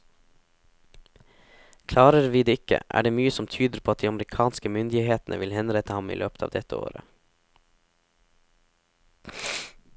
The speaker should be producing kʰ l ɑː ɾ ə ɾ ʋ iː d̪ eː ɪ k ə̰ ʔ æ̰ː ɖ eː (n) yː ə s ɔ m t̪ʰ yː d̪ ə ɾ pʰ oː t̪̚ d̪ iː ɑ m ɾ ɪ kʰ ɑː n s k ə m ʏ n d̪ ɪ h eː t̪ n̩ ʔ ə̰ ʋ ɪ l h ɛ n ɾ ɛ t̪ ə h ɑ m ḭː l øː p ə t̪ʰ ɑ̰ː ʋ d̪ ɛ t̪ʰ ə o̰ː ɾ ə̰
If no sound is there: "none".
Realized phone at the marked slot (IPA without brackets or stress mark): m